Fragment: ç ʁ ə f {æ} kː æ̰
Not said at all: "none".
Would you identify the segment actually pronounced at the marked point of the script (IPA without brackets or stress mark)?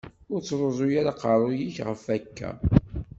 æ